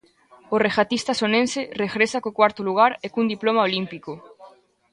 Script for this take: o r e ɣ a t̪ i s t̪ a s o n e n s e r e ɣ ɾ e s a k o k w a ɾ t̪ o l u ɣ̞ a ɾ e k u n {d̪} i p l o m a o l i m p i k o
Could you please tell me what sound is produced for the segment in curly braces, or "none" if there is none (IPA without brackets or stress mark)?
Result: d̪